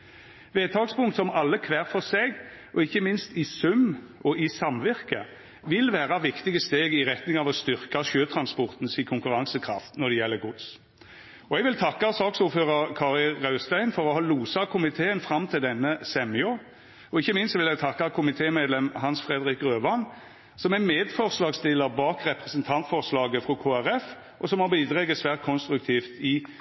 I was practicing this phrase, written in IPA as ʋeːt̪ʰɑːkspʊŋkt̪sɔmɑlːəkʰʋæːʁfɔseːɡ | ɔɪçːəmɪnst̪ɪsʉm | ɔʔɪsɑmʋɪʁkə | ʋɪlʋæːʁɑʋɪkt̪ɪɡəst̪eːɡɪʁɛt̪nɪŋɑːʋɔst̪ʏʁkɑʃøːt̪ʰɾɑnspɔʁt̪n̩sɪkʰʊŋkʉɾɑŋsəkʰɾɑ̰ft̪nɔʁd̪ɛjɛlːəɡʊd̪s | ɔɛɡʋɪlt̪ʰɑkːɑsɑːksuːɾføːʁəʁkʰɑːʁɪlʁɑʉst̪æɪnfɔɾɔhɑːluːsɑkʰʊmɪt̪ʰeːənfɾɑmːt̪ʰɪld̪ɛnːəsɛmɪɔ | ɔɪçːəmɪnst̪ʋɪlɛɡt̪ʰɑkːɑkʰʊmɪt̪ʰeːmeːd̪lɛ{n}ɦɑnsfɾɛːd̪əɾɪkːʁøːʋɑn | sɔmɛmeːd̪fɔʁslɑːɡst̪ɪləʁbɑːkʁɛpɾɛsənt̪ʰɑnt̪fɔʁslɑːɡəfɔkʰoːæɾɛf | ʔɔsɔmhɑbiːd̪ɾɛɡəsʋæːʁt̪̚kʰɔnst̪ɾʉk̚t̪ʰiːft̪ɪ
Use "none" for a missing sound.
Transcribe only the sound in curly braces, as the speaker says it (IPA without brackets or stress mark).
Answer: m